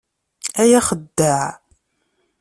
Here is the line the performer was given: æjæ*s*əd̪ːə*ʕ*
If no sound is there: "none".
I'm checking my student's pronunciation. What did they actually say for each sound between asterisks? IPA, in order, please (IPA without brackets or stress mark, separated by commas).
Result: χ, ʕ